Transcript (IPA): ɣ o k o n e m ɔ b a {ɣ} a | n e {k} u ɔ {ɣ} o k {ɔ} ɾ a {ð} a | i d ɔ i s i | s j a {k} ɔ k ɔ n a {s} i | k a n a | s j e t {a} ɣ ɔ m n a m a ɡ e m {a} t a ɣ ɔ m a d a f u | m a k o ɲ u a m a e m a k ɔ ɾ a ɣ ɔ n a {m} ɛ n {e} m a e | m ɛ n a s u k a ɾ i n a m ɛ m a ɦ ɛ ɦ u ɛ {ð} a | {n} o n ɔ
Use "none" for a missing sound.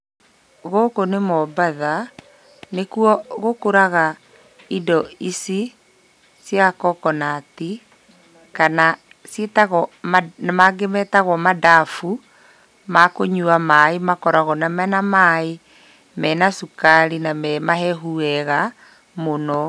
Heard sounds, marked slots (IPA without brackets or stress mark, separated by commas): ð, k, ɣ, o, ɣ, k, t, a, ɛ, m, a, ɣ, m